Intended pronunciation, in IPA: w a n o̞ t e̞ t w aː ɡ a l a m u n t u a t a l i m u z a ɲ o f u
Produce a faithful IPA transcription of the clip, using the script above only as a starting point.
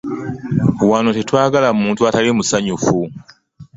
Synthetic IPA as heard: w a n o̞ t e̞ t w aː ɡ a l a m uː n t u a t a l i m u s a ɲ u f u